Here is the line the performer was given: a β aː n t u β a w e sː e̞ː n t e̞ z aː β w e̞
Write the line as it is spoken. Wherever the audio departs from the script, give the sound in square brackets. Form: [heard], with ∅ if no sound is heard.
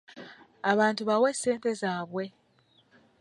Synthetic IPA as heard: a β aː n t u β a w e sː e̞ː n t e̞ z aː β w e̞